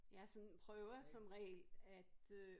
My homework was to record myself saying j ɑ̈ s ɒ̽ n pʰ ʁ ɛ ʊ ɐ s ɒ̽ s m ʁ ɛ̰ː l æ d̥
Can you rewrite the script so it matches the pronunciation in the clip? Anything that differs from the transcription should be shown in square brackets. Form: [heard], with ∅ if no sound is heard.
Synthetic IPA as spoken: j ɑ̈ s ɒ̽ n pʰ ʁ [œ] ʊ ɐ s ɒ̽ [∅] m ʁ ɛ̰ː l æ d̥